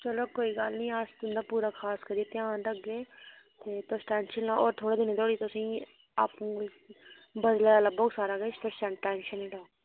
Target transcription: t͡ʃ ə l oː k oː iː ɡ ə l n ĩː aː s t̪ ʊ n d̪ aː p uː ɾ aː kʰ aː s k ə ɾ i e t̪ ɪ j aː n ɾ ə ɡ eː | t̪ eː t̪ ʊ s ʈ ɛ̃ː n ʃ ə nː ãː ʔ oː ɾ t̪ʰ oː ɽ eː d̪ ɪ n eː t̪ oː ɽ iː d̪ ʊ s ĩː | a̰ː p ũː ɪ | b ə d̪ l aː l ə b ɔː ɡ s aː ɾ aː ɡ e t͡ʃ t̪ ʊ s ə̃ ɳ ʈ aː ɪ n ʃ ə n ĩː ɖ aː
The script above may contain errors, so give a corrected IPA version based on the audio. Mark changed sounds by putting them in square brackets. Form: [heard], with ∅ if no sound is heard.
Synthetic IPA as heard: t͡ʃ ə l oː k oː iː ɡ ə l n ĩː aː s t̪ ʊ n d̪ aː p uː ɾ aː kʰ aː s k ə ɾ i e t̪ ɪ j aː n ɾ ə ɡ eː | t̪ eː t̪ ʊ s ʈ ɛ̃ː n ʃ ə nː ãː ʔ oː ɾ t̪ʰ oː ɽ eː d̪ ɪ n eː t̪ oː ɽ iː [t̪] ʊ s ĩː | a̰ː p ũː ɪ | b ə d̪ l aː l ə b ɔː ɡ s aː ɾ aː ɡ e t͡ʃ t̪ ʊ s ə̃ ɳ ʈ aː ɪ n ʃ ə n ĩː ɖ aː

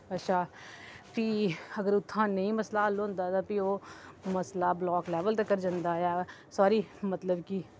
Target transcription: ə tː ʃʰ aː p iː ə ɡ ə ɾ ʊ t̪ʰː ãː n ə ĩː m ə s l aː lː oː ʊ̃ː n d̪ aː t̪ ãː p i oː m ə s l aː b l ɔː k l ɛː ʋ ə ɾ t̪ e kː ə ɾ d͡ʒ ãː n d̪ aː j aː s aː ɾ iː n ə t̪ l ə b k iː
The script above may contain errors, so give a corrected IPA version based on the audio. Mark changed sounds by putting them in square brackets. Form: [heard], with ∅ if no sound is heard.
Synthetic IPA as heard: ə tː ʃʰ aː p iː ə ɡ ə ɾ ʊ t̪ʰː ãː n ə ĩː m ə s l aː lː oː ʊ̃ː n d̪ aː t̪ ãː p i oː m ə s l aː b l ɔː k l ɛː ʋ ə [l] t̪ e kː ə ɾ d͡ʒ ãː n d̪ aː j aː s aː ɾ iː [m] ə t̪ l ə b k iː

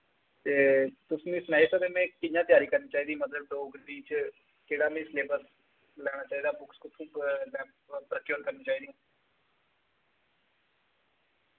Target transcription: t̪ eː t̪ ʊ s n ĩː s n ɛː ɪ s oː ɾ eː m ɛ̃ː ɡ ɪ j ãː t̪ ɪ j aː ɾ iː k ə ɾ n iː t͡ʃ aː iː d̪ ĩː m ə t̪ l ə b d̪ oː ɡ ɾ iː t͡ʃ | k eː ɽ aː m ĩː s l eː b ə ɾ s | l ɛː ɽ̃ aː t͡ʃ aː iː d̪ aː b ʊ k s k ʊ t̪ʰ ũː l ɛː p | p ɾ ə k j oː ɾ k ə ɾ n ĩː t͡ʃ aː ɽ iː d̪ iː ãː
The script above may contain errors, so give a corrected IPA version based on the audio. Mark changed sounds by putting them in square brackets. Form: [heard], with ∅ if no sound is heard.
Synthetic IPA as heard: t̪ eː t̪ ʊ s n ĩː s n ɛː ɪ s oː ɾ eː m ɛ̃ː [k] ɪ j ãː t̪ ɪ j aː ɾ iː k ə ɾ n iː t͡ʃ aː iː d̪ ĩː m ə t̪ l ə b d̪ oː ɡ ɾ iː t͡ʃ | k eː ɽ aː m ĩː s l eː b ə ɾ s | l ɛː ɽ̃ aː t͡ʃ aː iː d̪ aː b ʊ k s k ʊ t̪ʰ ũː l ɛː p | p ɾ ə k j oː ɾ k ə ɾ n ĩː t͡ʃ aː [∅] iː d̪ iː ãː

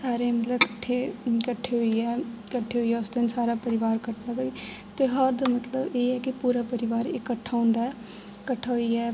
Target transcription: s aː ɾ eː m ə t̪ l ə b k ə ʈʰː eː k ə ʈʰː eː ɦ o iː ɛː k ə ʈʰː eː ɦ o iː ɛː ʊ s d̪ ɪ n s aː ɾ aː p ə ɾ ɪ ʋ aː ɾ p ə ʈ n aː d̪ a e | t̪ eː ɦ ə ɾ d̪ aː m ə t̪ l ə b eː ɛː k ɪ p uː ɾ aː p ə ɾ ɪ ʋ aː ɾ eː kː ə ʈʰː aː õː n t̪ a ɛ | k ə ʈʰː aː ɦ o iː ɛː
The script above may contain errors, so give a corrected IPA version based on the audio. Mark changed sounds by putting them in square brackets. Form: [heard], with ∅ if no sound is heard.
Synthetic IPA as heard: s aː ɾ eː m ə t̪ l ə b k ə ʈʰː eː k ə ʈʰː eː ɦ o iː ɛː k ə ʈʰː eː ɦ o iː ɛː ʊ s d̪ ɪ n s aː ɾ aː p ə ɾ ɪ ʋ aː ɾ [k] ə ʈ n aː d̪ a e | t̪ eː ɦ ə ɾ d̪ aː m ə t̪ l ə b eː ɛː k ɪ p uː ɾ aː p ə ɾ ɪ ʋ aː ɾ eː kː ə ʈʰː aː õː n [d̪] a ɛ | k ə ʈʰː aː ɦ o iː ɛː

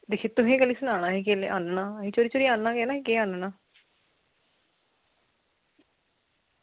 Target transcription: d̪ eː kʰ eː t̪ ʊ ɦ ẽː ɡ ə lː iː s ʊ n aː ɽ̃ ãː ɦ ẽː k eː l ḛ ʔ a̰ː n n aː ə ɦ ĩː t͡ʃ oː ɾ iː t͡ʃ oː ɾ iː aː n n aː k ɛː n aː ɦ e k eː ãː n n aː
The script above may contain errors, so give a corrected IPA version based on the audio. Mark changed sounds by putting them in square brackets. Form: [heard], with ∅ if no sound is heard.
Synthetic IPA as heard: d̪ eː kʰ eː t̪ ʊ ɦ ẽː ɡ ə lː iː s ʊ n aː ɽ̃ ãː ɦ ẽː k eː l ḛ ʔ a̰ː n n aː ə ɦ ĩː t͡ʃ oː ɾ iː t͡ʃ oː ɾ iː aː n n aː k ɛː n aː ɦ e k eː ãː n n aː

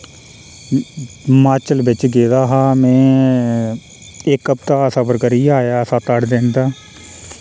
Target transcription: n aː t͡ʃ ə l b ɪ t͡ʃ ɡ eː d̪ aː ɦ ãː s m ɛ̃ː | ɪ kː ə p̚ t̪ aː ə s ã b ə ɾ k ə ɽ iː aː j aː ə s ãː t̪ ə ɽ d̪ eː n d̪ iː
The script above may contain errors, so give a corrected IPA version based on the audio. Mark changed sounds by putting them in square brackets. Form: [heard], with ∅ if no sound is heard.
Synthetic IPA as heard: [m] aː t͡ʃ ə l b ɪ t͡ʃ ɡ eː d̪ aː ɦ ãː [∅] m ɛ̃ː | ɪ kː ə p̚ t̪ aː ə s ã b ə ɾ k ə [ɾ] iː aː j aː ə s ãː t̪ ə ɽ d̪ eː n d̪ [aː]

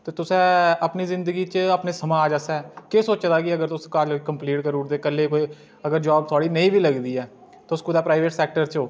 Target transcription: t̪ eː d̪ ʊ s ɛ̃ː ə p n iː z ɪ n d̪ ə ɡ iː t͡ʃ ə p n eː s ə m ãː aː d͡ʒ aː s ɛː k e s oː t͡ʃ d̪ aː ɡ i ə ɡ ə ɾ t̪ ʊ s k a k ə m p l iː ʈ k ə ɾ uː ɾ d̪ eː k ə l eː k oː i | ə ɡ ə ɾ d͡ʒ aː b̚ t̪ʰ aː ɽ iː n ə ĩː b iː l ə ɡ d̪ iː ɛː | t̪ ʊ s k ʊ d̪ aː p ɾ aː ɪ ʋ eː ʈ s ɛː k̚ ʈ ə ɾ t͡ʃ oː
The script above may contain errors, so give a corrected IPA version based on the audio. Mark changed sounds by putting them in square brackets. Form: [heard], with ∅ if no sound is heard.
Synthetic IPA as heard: t̪ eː [t̪] ʊ s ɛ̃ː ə p n iː z ɪ n d̪ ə ɡ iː t͡ʃ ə p n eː s ə m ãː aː d͡ʒ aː s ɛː k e s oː t͡ʃ d̪ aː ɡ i ə ɡ ə ɾ t̪ ʊ s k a k ə m p l iː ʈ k ə ɾ uː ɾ d̪ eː k ə l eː k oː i | ə ɡ ə ɾ d͡ʒ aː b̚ t̪ʰ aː ɽ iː n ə ĩː b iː l ə ɡ d̪ iː ɛː | t̪ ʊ s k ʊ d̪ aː p ɾ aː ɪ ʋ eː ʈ s ɛː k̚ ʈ ə ɾ t͡ʃ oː

